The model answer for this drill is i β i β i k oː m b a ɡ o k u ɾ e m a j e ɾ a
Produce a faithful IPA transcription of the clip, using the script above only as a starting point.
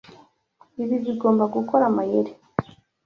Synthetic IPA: i β i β i ɡ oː m b a ɡ u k o ɾ a m a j e ɾ e